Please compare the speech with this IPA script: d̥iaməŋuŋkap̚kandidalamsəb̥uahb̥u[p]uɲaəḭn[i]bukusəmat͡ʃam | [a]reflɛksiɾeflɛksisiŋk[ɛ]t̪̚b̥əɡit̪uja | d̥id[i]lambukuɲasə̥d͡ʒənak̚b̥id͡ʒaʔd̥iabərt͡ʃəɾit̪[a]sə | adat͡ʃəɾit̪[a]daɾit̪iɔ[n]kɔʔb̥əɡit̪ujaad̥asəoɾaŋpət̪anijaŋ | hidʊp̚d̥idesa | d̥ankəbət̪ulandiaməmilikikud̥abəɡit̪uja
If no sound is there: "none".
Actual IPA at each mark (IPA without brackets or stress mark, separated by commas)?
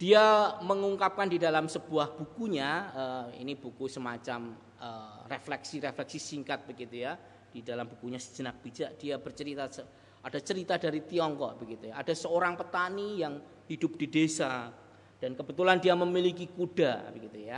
k, i, ə, a, a, a, a, ŋ